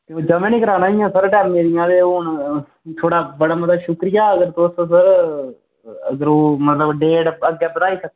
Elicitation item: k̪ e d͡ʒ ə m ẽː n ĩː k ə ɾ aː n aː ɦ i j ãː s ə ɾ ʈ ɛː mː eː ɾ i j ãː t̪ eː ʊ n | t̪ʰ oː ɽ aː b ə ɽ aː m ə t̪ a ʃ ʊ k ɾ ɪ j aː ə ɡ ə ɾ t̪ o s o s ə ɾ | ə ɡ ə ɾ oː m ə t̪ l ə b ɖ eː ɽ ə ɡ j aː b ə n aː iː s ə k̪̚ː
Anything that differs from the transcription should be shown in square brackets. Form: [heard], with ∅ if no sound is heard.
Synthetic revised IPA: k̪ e d͡ʒ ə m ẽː n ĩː k ə ɾ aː n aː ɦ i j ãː s ə ɾ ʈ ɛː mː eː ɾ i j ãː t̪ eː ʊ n | t̪ʰ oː ɽ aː b ə ɽ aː m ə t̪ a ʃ ʊ k ɾ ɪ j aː ə ɡ ə ɾ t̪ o s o s ə ɾ | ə ɡ ə ɾ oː m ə t̪ l ə b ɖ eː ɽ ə ɡ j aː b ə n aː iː s ə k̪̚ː